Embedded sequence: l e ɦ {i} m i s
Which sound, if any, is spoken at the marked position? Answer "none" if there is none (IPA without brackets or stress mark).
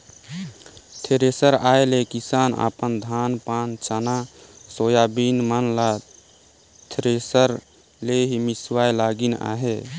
i